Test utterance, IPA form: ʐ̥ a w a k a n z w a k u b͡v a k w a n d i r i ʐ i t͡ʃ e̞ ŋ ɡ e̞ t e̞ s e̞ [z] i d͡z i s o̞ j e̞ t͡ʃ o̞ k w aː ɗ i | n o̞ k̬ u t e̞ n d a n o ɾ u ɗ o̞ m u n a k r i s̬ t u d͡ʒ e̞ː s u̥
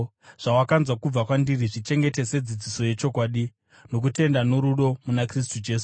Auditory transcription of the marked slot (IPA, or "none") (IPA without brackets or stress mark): d͡z